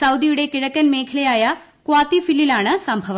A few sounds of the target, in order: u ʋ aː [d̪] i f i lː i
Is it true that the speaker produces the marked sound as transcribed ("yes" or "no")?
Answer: no